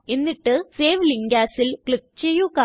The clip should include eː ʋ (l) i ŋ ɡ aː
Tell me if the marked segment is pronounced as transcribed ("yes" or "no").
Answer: yes